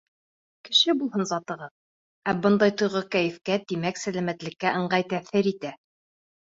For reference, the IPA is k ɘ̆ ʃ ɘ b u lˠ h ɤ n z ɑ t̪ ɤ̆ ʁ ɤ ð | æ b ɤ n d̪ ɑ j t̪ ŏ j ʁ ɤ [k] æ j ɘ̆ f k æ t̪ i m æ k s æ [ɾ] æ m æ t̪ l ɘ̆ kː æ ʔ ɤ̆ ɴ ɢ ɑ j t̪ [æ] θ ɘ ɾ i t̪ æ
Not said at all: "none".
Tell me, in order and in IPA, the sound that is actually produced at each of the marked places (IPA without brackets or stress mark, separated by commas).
k, l, æ